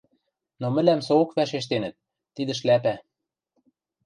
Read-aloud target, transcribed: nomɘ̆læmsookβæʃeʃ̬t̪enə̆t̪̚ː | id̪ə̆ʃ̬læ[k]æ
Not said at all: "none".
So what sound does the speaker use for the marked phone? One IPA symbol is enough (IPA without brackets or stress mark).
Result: p